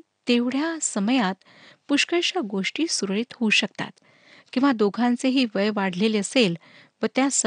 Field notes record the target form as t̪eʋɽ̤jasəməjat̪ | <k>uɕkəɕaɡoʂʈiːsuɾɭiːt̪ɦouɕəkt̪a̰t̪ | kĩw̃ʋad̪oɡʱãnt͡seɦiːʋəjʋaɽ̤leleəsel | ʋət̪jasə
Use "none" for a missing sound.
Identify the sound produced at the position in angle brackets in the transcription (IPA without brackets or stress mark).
p